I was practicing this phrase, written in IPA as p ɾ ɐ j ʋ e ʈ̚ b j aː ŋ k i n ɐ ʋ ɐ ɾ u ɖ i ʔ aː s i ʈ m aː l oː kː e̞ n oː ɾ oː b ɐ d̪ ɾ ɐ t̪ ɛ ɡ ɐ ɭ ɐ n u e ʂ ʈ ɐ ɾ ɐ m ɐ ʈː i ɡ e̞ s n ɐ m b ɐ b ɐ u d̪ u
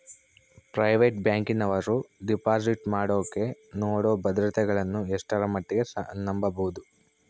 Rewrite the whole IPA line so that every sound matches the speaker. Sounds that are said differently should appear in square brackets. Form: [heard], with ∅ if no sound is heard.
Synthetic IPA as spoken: p ɾ ɐ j ʋ e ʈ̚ b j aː ŋ k i n ɐ ʋ ɐ ɾ u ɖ i [p] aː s i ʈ m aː [ɽ] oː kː e̞ n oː [ɽ] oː b ɐ d̪ ɾ ɐ t̪ ɛ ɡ ɐ ɭ ɐ [nː] u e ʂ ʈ ɐ ɾ ɐ m ɐ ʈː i ɡ e̞ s n ɐ m b ɐ b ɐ u d̪ u